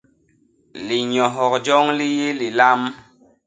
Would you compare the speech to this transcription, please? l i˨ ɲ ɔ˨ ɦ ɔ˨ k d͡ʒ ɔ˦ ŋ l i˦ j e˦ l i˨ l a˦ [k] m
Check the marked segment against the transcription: incorrect: none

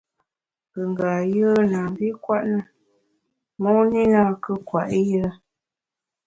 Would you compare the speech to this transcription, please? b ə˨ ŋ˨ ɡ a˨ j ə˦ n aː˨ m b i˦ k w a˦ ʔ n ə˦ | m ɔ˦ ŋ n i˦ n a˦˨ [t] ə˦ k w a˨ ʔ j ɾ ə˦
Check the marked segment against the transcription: incorrect: k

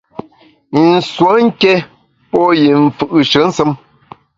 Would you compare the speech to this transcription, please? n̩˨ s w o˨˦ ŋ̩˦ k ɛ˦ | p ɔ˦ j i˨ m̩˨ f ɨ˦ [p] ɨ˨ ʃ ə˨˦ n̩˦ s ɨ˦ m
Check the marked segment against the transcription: incorrect: ʔ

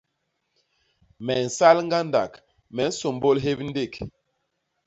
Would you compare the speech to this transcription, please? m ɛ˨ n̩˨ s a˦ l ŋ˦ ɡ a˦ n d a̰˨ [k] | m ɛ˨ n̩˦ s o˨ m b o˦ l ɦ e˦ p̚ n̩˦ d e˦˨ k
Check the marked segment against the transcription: correct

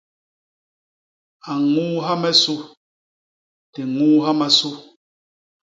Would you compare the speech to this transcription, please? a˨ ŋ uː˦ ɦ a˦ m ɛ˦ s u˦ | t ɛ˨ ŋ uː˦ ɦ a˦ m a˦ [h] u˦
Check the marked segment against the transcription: incorrect: s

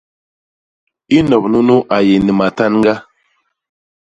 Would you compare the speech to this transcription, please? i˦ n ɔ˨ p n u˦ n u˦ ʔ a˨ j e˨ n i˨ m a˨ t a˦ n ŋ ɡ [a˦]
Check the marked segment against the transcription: correct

